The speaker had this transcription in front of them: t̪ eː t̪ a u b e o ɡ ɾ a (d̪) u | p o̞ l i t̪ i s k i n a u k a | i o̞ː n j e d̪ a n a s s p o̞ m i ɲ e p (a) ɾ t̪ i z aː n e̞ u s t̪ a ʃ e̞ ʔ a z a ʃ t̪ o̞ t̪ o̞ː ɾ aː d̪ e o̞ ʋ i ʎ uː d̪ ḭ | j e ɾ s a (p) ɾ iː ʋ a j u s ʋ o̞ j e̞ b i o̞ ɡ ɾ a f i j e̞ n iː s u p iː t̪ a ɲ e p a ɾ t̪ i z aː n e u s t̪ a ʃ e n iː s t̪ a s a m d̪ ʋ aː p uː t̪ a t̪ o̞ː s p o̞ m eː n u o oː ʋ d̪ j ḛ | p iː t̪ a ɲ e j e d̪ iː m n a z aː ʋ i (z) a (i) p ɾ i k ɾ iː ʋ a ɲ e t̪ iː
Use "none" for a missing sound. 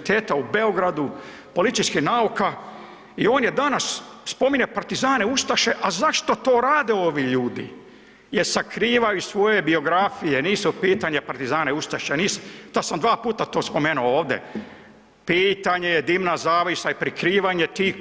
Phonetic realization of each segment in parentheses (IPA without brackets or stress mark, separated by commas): d̪, a, k, s, i